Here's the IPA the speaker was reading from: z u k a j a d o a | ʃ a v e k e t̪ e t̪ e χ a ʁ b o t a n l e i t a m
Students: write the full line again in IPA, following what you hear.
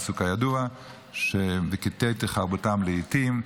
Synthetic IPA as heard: s u k a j a d u a | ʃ e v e k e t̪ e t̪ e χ a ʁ b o t a m l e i t i m